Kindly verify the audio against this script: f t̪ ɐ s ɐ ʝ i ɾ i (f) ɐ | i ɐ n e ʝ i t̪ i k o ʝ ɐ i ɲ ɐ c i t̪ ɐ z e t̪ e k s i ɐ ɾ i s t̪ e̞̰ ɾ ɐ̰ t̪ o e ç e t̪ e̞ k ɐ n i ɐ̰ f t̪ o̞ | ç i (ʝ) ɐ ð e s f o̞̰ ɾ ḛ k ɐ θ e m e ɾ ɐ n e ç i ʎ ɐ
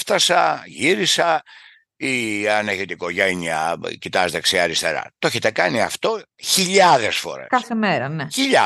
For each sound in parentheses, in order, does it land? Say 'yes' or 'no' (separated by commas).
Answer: no, no